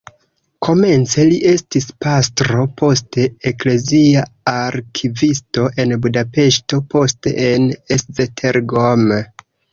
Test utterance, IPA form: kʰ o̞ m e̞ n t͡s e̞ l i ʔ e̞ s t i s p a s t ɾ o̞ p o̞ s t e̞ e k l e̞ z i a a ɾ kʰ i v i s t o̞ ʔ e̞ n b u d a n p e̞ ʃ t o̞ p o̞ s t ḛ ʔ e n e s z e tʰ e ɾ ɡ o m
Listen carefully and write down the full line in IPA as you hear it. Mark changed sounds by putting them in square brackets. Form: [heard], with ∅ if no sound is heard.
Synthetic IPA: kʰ o̞ m e̞ n t͡s e̞ l i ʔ e̞ s t i s p a s t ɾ o̞ p o̞ s t e̞ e k l e̞ z i a a ɾ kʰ i v i s t o̞ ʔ e̞ n b u d a [∅] p e̞ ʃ t o̞ p o̞ s t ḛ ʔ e n e s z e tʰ e ɾ ɡ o m